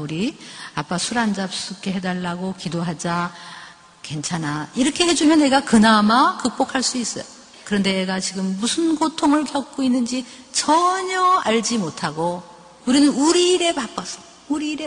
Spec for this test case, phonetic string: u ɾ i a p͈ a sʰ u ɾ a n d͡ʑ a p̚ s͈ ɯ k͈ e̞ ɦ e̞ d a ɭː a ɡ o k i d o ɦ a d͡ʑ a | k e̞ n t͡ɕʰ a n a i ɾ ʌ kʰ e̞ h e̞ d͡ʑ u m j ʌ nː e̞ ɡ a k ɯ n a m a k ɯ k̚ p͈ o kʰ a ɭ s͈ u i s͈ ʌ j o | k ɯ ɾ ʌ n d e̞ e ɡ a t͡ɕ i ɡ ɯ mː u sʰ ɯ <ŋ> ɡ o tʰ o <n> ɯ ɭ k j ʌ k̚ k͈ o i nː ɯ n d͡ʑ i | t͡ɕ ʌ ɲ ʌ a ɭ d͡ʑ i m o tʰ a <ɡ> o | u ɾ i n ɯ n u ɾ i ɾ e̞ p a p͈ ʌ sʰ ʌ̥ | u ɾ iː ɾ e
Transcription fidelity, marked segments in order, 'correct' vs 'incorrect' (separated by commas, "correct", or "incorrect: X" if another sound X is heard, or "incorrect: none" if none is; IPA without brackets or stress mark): incorrect: n, incorrect: ŋ, correct